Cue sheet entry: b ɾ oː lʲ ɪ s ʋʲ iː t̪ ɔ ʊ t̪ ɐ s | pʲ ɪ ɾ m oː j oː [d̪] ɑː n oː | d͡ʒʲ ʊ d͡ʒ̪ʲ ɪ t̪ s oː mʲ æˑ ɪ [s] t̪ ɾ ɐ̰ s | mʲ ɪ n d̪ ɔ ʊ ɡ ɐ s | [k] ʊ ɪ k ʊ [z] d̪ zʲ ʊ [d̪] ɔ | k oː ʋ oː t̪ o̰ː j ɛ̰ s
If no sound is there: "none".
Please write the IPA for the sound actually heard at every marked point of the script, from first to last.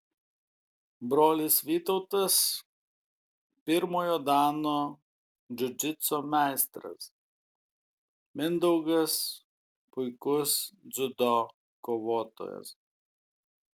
d̪, s, p, s, d̪

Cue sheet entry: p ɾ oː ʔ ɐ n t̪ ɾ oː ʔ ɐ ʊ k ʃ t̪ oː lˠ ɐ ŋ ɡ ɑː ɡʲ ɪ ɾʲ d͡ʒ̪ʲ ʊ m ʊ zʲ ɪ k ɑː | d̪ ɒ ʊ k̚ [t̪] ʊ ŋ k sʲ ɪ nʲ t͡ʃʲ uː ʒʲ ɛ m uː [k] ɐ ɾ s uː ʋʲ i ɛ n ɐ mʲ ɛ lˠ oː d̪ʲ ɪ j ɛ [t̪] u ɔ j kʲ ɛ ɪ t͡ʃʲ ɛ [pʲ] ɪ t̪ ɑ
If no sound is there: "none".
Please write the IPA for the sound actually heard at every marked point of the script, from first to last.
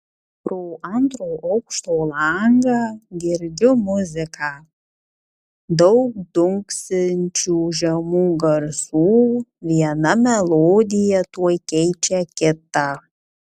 d̪, ɡ, t̪, kʲ

